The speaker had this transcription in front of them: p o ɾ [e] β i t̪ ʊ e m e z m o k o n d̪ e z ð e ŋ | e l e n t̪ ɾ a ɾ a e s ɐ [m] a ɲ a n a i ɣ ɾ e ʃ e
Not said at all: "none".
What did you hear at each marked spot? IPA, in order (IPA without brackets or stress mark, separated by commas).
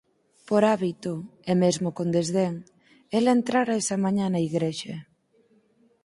a, m